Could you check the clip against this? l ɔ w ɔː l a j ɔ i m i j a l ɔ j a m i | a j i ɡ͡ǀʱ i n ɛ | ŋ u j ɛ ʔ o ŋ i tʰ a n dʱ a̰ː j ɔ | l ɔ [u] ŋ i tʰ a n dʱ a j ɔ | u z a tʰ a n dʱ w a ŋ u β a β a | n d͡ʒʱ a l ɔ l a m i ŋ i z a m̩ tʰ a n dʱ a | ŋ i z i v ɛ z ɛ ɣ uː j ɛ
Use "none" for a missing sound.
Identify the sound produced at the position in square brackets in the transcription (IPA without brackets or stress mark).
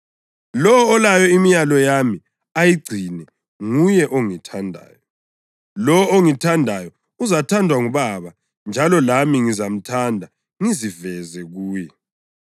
o